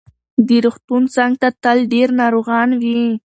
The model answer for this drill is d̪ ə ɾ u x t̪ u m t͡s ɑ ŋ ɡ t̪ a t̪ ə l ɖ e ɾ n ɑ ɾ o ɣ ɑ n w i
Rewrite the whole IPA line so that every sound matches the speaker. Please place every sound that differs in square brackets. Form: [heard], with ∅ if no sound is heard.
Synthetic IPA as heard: d̪ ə ɾ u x t̪ u [n] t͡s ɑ ŋ ɡ t̪ a t̪ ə l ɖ e ɾ n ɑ ɾ o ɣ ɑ n w i